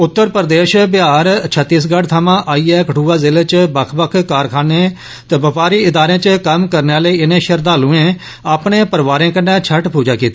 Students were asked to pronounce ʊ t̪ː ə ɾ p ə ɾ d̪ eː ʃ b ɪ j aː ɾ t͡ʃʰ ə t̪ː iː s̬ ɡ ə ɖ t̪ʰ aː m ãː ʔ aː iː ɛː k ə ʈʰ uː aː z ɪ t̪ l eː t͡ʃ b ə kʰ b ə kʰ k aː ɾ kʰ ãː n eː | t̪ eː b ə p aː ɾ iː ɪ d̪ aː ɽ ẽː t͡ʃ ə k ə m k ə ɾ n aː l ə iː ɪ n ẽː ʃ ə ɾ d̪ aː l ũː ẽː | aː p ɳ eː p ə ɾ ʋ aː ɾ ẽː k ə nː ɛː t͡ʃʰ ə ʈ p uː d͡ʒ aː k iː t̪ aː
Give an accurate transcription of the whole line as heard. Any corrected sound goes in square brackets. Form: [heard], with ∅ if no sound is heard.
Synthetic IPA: ʊ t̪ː ə ɾ p ə ɾ d̪ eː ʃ b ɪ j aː ɾ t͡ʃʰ ə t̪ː iː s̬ ɡ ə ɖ t̪ʰ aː m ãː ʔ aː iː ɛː k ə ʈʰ uː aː z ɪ [∅] l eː t͡ʃ b ə kʰ b ə kʰ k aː ɾ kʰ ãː n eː | t̪ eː b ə p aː ɾ iː ɪ d̪ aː [ɾ] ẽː t͡ʃ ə k ə m k ə ɾ n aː l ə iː ɪ n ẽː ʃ ə ɾ d̪ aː l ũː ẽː | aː p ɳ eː p ə ɾ ʋ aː ɾ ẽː k ə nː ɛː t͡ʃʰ ə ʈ p uː d͡ʒ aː k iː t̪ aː